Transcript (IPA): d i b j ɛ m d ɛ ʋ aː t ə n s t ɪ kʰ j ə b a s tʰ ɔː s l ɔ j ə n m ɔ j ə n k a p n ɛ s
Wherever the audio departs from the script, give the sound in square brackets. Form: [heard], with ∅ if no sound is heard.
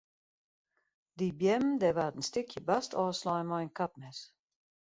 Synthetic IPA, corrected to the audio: d i b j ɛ m d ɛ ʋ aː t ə n s t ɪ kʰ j ə b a s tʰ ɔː s l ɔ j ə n m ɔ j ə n k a p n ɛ s